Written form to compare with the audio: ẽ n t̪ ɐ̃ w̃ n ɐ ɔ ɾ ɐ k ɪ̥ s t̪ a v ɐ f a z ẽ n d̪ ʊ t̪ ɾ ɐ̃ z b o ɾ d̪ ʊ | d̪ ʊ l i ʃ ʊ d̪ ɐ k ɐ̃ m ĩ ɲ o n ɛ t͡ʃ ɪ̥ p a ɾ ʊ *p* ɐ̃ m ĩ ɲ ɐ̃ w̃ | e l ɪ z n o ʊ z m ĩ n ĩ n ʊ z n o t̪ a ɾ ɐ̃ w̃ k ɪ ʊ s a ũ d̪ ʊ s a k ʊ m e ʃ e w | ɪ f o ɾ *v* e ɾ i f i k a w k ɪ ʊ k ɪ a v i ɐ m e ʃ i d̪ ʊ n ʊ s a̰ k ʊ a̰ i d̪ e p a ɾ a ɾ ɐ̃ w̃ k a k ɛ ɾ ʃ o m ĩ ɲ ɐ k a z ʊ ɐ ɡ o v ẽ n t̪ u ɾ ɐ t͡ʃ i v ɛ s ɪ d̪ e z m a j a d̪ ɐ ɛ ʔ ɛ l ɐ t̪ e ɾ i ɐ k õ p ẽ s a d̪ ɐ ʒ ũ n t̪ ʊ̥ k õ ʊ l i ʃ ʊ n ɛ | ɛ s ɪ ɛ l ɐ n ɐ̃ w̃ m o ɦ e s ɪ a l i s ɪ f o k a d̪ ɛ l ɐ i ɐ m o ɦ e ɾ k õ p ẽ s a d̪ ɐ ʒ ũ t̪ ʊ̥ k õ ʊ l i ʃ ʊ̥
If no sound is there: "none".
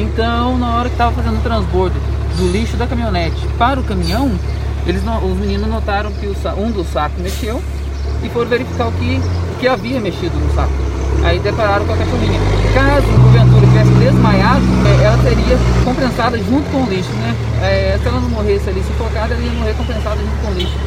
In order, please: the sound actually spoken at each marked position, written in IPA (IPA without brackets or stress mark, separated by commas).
k, v